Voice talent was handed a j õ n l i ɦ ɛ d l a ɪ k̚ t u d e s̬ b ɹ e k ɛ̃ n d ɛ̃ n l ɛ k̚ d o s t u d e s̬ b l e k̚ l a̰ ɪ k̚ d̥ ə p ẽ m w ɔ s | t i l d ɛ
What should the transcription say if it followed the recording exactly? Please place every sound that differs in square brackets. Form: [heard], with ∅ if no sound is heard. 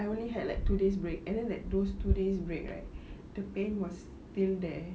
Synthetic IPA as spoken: a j õ n l i ɦ ɛ d l a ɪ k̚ t u d e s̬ b ɹ e k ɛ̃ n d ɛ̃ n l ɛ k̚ d o s t u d e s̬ b [ɹ] e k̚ l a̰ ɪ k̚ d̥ ə p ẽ [n] w ɔ s | t i l d ɛ